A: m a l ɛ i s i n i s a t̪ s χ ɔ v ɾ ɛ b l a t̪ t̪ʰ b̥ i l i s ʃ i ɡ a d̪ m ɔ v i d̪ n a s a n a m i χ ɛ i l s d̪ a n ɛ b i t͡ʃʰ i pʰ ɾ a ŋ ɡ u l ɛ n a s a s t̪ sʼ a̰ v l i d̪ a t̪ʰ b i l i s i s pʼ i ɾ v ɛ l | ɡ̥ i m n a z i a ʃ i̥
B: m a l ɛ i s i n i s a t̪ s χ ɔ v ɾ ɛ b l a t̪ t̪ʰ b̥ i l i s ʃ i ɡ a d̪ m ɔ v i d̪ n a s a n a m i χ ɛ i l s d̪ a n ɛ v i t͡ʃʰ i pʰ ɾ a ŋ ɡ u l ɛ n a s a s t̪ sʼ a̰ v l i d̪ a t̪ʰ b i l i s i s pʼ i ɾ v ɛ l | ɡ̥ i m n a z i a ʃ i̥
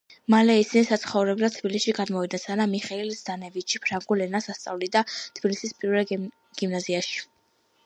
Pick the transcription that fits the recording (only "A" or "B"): B